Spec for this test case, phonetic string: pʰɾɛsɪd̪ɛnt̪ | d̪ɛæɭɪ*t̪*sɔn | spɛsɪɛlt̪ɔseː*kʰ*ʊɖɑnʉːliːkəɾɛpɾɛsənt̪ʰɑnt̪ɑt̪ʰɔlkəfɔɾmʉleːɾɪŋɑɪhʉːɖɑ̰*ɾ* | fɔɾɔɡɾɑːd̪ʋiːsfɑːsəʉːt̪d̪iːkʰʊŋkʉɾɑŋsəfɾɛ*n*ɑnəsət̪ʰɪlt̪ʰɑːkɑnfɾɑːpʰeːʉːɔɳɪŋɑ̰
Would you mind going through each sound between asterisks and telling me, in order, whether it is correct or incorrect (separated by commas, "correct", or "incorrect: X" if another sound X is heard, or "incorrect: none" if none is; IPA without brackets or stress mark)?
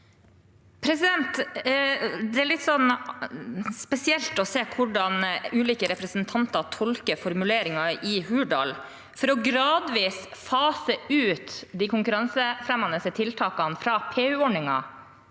correct, correct, incorrect: l, incorrect: m